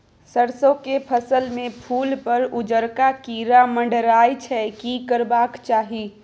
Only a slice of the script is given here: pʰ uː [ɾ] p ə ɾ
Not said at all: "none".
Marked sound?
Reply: l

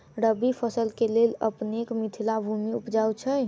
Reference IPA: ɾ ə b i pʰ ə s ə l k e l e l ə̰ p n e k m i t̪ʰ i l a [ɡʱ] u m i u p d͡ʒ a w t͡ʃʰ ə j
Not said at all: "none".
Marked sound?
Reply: bʱ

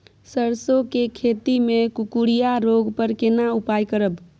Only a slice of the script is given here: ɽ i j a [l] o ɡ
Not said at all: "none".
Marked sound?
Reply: ɾ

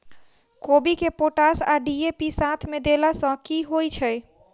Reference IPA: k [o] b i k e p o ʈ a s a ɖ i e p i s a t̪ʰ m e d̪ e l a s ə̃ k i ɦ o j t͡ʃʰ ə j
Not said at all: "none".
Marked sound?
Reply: o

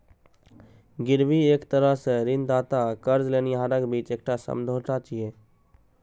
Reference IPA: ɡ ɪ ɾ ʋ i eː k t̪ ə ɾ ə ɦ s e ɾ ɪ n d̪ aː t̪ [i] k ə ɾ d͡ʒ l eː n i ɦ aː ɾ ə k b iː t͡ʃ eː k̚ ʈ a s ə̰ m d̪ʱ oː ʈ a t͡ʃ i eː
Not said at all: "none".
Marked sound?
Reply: a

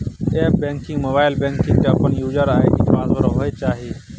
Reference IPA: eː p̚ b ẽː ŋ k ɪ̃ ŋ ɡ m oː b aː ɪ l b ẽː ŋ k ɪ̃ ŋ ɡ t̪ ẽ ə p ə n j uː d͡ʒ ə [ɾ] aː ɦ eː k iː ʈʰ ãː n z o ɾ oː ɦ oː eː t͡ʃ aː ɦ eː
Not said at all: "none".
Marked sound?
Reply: ɾ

